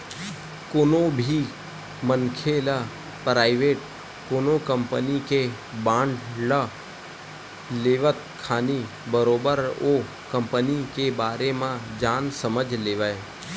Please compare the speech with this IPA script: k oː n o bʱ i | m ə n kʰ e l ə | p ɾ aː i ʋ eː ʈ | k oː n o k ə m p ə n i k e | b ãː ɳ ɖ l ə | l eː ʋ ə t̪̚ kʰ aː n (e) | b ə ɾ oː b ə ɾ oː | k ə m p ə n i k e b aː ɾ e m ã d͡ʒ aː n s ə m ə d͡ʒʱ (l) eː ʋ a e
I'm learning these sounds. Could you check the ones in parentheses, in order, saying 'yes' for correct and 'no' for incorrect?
no, yes

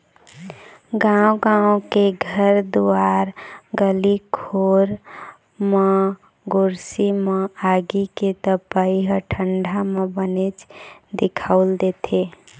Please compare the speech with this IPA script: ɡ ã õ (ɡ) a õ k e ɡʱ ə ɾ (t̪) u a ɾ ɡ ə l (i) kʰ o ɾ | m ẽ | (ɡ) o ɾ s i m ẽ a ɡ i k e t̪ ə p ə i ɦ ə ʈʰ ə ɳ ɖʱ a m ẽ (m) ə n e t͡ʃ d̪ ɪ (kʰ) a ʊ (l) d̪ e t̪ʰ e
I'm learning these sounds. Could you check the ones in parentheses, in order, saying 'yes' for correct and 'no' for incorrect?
yes, no, yes, yes, no, yes, yes

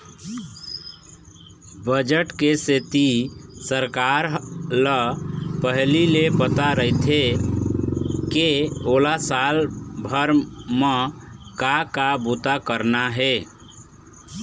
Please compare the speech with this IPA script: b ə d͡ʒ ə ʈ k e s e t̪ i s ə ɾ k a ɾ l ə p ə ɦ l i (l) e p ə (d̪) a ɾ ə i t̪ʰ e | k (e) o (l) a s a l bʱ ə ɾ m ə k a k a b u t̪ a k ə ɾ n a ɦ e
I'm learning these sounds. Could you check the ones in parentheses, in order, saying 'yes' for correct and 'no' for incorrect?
yes, no, yes, yes

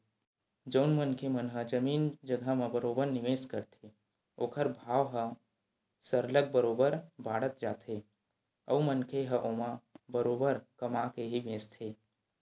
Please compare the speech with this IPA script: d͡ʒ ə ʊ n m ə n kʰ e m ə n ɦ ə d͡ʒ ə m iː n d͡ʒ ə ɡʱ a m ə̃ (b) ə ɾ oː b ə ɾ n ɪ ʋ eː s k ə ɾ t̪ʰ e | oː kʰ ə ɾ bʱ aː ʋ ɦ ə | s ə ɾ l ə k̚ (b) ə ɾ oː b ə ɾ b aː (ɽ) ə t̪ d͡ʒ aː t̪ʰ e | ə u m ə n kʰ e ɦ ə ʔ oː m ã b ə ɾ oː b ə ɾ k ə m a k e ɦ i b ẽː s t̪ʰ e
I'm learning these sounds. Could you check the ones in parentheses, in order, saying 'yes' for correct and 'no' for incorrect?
yes, yes, yes

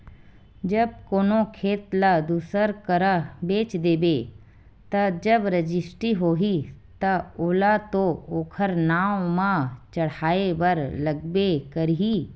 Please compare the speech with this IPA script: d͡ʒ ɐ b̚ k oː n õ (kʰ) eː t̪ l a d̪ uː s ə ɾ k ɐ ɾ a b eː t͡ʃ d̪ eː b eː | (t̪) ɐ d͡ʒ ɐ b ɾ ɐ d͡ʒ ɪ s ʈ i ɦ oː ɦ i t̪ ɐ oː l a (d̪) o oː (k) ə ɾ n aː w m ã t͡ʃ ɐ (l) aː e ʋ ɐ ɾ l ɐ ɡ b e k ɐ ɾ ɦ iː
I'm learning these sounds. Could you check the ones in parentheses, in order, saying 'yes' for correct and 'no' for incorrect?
yes, yes, no, no, no

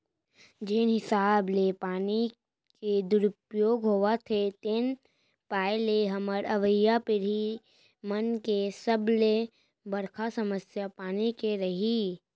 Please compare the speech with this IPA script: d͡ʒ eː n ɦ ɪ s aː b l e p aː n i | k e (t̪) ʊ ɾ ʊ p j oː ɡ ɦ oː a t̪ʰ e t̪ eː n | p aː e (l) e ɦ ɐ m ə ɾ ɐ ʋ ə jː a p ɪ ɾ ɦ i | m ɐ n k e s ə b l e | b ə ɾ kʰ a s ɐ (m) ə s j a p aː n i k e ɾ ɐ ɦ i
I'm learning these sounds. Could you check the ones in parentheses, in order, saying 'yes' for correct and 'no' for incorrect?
no, yes, yes

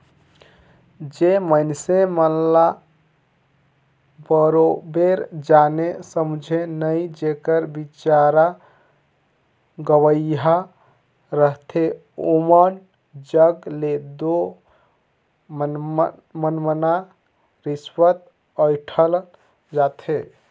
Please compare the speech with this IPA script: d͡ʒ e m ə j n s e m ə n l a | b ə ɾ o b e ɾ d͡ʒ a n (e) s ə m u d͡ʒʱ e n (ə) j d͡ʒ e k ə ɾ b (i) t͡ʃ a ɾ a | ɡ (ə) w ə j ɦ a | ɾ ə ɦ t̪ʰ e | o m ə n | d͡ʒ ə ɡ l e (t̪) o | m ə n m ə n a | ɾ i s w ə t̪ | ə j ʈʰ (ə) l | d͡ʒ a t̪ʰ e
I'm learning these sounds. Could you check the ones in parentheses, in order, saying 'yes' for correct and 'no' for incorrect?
yes, yes, yes, yes, no, yes

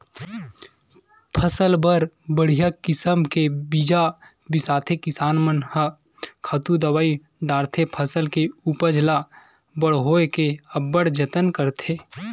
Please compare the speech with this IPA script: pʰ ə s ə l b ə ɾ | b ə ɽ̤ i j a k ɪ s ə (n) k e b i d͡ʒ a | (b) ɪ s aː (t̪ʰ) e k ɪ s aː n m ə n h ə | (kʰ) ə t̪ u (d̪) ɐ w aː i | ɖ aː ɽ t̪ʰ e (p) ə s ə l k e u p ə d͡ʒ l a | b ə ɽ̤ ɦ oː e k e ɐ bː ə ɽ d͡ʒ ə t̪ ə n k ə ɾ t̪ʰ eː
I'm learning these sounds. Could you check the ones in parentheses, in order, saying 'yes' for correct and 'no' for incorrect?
no, yes, yes, yes, yes, no

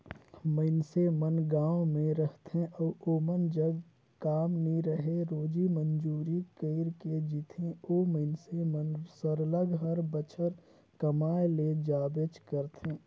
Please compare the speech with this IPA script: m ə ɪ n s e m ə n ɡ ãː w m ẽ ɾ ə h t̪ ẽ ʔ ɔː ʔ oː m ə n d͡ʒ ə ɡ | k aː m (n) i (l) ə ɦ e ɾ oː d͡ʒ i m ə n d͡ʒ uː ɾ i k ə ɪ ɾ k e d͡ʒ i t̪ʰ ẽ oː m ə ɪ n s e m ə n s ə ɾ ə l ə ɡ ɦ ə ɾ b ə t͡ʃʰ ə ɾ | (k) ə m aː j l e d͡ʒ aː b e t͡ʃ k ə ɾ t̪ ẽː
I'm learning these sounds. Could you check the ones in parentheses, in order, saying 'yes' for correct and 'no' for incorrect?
yes, no, yes

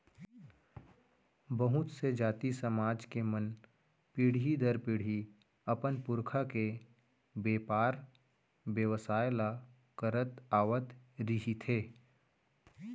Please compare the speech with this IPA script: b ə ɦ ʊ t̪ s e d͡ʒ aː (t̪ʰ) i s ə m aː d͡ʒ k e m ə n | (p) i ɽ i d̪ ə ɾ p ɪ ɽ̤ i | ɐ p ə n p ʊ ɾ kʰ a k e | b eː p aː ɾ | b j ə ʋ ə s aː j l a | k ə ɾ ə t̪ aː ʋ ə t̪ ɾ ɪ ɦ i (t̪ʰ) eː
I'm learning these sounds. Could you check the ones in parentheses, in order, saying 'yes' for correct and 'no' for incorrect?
no, yes, yes

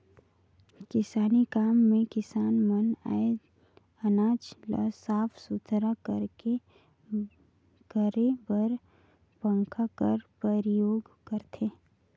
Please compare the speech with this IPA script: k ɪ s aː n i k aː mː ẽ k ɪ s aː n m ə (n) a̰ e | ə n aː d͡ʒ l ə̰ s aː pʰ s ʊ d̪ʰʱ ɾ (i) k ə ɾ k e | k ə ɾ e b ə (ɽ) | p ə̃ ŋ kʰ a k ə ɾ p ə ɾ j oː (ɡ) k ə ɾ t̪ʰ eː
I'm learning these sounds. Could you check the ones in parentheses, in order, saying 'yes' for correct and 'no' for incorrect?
yes, no, no, yes

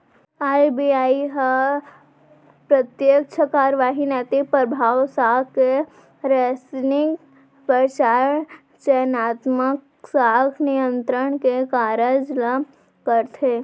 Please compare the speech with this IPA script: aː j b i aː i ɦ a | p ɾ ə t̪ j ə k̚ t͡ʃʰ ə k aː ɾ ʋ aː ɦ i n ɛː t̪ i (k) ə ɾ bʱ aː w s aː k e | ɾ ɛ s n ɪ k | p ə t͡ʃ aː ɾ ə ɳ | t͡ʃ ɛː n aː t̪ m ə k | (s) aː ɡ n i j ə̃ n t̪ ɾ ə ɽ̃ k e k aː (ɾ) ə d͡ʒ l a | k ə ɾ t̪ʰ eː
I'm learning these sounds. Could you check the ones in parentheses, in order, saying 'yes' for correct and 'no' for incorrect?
no, yes, yes

